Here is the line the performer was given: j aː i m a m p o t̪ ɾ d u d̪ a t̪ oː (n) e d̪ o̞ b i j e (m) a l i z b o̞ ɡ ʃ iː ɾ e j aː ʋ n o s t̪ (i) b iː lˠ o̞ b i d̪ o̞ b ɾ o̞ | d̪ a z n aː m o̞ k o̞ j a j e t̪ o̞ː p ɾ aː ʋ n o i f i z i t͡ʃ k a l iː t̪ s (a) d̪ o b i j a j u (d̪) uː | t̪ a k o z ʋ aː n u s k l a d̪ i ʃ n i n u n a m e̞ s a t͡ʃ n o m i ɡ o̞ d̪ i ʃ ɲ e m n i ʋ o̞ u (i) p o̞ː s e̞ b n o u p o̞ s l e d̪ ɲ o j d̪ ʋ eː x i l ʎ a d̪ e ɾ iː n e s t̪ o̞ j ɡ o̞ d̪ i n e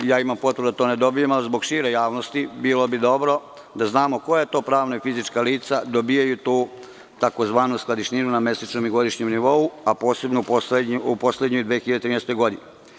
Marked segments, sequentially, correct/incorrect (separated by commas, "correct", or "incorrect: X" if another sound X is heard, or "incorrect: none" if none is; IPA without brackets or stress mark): correct, correct, correct, correct, incorrect: t̪, incorrect: a